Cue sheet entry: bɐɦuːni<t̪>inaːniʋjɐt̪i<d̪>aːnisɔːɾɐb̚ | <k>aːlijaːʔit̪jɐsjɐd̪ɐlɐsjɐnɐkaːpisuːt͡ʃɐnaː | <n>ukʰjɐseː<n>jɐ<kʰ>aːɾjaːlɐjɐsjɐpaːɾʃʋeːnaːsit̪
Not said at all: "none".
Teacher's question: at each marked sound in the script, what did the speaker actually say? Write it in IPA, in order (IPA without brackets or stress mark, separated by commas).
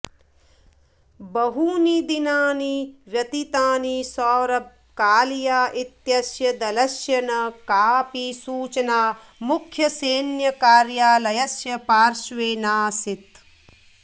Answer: d̪, t̪, k, m, n, k